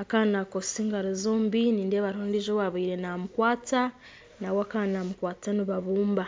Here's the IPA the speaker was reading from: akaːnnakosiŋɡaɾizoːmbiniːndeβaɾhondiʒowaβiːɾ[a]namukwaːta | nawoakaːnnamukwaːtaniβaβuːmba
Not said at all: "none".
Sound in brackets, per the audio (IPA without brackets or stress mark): e